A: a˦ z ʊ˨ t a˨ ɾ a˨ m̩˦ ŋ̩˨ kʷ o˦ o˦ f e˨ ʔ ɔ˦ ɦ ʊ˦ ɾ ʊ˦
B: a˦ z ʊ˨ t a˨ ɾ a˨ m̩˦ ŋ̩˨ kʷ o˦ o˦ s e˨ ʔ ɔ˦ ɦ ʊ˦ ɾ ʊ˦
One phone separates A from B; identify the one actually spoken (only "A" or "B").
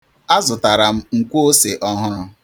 B